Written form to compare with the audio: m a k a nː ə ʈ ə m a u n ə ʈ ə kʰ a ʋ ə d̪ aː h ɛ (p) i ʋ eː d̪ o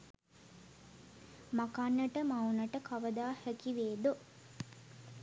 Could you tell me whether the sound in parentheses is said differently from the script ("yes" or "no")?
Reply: yes